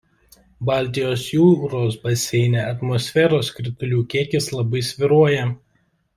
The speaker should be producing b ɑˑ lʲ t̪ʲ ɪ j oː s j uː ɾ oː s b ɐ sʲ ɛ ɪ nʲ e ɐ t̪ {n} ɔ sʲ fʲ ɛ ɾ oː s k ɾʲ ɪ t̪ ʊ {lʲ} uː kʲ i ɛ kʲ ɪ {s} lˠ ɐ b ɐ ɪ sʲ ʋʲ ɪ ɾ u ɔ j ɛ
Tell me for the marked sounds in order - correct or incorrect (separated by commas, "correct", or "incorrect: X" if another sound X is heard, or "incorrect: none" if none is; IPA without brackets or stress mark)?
incorrect: m, correct, correct